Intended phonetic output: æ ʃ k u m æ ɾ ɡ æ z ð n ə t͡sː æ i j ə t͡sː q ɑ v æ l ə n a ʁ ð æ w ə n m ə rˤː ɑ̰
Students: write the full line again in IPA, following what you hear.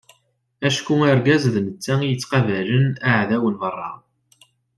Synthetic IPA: æ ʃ k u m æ ɾ ɡ æ z ð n ə t͡sː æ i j ə t͡sː q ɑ v æ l ə n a ʕ ð æ w ə n m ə rˤː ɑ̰